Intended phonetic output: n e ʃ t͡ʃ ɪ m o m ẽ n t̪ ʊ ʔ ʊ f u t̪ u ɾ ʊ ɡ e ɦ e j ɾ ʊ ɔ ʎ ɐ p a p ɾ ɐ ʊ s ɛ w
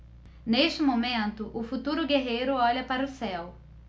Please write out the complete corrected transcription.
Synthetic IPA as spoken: n e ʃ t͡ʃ ɪ m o m ẽ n t̪ ʊ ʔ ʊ f u t̪ u ɾ ʊ ɡ e ɦ e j ɾ ʊ ɔ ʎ ɐ p a ɾ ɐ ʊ s ɛ w